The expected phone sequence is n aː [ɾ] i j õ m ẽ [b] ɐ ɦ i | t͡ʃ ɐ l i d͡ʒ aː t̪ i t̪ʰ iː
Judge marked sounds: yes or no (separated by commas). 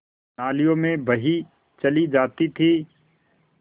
no, yes